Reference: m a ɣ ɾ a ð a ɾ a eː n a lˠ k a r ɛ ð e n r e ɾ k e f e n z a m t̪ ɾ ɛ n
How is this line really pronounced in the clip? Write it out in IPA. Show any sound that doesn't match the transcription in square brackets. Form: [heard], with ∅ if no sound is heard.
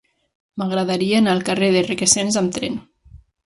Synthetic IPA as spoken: m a ɣ ɾ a ð a ɾ [i] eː n a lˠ k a r [e] ð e [∅] r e [∅] k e [s] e n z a m t̪ ɾ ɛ n